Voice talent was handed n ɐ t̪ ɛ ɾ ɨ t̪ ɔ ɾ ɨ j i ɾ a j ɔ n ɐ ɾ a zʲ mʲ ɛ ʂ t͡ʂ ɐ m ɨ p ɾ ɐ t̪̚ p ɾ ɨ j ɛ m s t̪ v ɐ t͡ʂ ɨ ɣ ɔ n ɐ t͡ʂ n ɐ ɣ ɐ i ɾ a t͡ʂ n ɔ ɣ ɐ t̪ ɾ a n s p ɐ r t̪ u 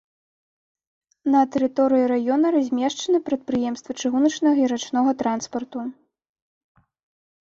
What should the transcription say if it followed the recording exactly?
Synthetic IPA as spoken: n ɐ t̪ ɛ ɾ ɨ t̪ ɔ ɾ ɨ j i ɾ a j ɔ n ɐ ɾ a zʲ mʲ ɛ ʂ t͡ʂ ɐ n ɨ p ɾ ɐ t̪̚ p ɾ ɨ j ɛ m s t̪ v ɐ t͡ʂ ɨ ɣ u n ɐ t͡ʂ n ɐ ɣ ɐ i ɾ a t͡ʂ n ɔ ɣ ɐ t̪ ɾ a n s p ɐ r t̪ u